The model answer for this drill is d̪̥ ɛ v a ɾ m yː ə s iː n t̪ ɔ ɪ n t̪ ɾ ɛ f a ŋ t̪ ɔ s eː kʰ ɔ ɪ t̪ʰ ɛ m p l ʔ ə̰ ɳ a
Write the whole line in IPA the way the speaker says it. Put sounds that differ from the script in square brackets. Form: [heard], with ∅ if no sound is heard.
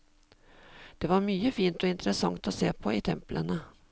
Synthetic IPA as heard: d̪̥ ɛ v a ɾ m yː ə [f] iː n t̪ ɔ ɪ n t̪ ɾ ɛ [s] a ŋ t̪ ɔ s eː [pʰ] ɔ ɪ t̪ʰ ɛ m p l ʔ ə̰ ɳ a